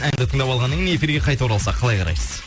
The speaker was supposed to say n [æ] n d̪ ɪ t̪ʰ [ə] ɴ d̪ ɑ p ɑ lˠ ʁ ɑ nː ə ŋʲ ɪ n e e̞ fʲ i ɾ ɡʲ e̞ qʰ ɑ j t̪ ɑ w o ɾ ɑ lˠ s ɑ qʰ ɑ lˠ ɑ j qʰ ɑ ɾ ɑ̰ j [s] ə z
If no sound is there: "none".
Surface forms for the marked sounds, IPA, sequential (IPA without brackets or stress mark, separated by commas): æ, ə, s